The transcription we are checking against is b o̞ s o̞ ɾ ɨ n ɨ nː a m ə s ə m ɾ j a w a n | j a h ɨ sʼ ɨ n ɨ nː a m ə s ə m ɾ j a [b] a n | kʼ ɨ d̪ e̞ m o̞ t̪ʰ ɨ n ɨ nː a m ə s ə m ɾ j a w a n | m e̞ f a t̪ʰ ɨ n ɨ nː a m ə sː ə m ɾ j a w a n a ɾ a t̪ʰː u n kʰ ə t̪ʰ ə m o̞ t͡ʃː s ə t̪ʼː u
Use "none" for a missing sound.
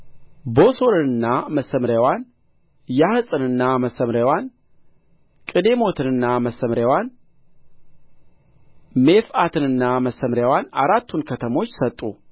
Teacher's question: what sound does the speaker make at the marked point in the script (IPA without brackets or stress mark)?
w